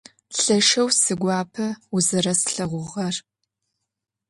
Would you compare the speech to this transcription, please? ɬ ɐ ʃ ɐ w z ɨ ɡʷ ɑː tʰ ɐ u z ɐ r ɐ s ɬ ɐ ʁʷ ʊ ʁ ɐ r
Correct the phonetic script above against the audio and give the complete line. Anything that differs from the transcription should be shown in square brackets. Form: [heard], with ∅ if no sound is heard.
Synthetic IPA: ɬ ɐ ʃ ɐ w [s] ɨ ɡʷ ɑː [pʰ] ɐ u z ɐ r ɐ s ɬ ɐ ʁʷ ʊ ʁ ɐ r